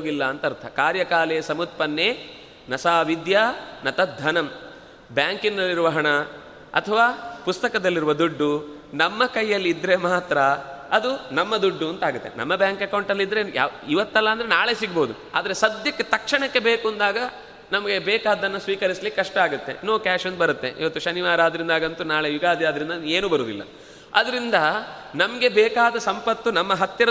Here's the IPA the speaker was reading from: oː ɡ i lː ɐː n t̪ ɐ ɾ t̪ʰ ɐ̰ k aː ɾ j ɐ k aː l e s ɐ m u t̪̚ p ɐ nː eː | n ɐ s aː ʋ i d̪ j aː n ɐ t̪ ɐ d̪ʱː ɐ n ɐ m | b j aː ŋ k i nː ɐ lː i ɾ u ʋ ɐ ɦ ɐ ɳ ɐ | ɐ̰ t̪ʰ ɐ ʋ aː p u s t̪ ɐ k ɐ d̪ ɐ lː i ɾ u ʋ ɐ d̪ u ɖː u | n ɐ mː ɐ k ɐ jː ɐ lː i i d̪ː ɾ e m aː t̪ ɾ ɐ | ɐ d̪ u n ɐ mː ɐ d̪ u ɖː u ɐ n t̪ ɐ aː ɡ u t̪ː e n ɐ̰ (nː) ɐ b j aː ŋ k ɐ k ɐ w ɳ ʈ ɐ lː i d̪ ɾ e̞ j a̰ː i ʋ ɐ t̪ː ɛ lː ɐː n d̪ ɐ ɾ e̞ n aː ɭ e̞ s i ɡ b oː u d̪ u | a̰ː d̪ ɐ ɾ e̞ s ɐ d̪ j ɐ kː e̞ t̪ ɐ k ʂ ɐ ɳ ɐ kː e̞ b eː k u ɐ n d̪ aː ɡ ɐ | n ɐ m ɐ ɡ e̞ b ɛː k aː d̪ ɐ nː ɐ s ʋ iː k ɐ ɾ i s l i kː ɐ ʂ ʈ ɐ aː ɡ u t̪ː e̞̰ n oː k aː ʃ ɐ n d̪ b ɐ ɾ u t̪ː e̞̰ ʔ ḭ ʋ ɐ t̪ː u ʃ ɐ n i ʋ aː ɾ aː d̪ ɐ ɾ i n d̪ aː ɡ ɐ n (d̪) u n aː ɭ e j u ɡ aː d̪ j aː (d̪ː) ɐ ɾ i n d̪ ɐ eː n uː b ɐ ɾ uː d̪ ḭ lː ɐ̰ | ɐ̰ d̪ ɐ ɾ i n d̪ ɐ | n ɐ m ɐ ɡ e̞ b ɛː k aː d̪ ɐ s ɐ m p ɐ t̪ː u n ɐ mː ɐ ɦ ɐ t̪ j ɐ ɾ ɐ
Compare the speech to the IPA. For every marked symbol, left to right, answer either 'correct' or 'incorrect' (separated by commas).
incorrect, incorrect, incorrect